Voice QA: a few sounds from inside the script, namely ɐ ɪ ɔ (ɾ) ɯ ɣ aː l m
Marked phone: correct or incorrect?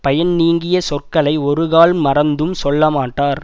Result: correct